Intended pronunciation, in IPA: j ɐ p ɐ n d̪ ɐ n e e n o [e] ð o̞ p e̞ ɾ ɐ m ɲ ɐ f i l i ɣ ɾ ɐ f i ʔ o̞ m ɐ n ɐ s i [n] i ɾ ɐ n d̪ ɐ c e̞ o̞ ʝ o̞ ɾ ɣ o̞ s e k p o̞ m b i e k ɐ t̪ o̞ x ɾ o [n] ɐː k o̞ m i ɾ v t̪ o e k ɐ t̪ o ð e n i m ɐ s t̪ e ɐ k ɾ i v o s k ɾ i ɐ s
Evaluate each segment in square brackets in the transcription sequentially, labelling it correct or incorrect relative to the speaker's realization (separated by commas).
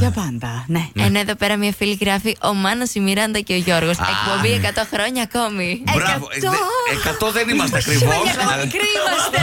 correct, incorrect, incorrect